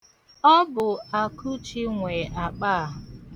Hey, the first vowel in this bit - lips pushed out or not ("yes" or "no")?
yes